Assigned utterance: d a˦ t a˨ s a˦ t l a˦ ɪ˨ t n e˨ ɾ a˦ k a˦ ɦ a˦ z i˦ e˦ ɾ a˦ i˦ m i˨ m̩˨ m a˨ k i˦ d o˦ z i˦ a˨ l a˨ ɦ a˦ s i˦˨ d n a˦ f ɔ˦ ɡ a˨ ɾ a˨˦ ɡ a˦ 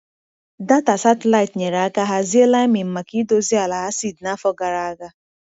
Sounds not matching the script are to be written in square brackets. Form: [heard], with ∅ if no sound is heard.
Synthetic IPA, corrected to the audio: d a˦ t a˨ s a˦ t l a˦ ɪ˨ t [ɲ] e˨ ɾ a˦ k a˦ ɦ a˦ z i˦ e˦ [l] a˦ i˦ m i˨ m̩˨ m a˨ k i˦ d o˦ z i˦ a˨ l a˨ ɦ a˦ s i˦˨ d n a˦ f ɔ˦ ɡ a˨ ɾ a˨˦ ɡ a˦